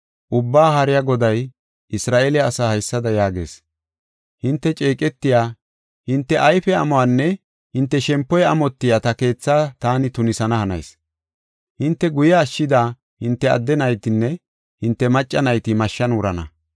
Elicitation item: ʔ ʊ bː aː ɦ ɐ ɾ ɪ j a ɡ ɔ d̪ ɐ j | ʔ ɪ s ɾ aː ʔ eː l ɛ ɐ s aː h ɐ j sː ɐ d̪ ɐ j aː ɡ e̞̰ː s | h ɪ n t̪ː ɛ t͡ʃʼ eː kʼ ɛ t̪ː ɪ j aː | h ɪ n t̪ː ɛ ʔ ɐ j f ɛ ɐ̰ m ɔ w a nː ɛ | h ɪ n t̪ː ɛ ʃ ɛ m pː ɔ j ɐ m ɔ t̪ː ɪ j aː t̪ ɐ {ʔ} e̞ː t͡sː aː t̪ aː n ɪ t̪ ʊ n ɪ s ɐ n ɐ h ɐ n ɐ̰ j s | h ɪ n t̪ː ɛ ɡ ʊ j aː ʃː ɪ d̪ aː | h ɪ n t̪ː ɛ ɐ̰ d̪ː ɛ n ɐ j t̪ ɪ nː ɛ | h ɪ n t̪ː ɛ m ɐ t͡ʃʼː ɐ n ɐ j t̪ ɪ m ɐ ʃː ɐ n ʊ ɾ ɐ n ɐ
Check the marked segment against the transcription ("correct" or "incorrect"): incorrect